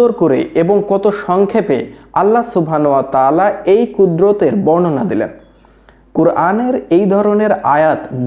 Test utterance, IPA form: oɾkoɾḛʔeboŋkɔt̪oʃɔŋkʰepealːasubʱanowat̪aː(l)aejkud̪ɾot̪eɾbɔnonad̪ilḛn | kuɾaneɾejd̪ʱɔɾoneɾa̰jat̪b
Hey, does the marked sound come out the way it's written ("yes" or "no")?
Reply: yes